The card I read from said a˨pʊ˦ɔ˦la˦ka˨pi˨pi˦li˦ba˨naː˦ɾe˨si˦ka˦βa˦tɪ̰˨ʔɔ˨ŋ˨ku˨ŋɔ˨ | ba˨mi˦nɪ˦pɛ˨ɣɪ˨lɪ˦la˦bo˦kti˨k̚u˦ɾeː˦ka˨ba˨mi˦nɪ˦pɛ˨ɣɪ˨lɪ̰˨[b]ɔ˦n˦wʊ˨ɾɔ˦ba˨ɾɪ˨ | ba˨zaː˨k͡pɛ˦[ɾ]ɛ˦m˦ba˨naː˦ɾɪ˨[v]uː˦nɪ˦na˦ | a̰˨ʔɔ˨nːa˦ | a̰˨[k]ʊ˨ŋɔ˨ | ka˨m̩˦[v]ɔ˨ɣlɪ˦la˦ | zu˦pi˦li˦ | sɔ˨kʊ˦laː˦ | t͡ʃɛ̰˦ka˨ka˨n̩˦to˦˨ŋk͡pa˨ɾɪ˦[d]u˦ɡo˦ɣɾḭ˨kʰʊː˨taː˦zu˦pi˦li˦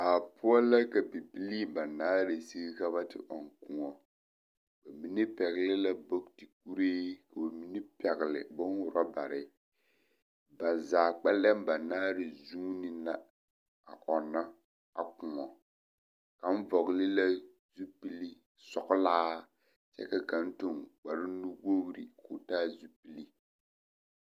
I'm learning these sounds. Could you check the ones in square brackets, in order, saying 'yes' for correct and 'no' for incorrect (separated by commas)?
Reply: yes, no, no, yes, yes, no